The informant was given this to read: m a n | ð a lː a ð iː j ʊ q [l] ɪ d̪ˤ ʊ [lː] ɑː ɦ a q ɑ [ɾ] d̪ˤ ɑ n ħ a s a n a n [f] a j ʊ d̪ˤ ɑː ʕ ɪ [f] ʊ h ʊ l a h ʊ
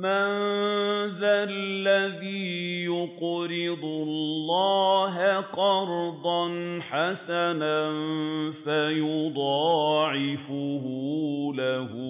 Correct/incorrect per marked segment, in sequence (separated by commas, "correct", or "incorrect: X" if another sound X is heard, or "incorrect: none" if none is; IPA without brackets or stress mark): incorrect: ɾ, correct, correct, correct, correct